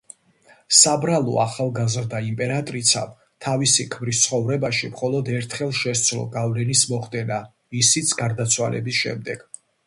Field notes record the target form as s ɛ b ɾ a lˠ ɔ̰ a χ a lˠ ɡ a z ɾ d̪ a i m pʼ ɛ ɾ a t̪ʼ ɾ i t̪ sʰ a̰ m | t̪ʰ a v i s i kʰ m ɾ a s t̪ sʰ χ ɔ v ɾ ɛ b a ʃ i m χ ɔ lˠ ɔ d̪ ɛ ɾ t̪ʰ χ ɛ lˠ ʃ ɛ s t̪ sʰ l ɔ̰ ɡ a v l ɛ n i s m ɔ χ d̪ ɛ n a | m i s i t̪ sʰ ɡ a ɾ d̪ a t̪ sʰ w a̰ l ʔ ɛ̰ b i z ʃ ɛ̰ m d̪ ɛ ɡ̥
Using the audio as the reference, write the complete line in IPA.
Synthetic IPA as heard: s a b ɾ a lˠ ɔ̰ a χ a lˠ ɡ a z ɾ d̪ a i m pʼ ɛ ɾ a t̪ʼ ɾ i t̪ sʰ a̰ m | t̪ʰ a v i s i kʰ m ɾ i s t̪ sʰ χ ɔ v ɾ ɛ b a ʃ i m χ ɔ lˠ ɔ d̪ ɛ ɾ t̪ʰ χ ɛ lˠ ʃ ɛ s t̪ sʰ l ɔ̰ ɡ a v l ɛ n i s m ɔ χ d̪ ɛ n a | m i s i t̪ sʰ ɡ a ɾ d̪ a t̪ sʰ w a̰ l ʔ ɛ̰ b i s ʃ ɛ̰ m d̪ ɛ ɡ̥